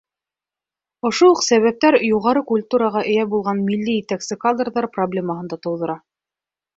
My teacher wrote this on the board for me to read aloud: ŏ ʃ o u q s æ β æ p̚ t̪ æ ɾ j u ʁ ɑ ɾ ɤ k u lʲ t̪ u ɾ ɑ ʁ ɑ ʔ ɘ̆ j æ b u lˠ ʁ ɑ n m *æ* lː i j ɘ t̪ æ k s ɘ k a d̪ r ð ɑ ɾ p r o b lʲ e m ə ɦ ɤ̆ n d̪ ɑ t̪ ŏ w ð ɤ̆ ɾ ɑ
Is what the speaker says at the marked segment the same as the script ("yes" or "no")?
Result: no